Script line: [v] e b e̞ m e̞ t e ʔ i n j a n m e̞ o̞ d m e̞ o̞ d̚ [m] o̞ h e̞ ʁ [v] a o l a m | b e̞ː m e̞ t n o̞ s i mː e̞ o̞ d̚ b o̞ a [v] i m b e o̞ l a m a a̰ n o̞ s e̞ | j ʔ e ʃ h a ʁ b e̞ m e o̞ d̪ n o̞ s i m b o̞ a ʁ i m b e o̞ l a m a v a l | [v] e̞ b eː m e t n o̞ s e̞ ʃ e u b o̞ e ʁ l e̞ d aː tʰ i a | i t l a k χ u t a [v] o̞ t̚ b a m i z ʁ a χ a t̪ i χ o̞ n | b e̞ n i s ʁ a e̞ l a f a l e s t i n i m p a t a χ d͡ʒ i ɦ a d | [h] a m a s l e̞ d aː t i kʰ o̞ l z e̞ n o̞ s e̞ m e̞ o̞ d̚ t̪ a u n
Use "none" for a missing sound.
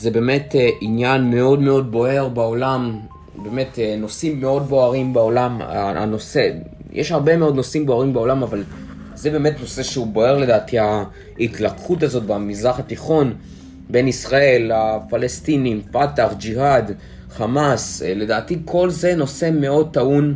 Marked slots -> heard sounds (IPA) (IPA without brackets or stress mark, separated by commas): z, b, b, ʁ, z, z, χ